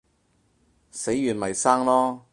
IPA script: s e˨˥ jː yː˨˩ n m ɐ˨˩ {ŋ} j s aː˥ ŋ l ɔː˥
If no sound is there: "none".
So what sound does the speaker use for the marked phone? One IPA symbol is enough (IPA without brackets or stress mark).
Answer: none